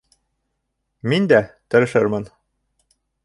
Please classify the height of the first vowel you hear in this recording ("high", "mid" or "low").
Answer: high